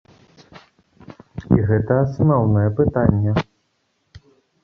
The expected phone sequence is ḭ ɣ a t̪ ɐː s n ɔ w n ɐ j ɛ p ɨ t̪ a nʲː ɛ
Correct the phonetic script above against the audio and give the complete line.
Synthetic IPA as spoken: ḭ ɣ ɛ t̪ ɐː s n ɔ w n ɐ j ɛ p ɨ t̪ a nʲː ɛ